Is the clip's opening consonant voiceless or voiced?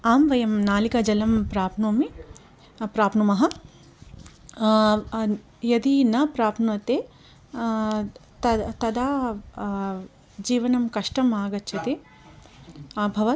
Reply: voiced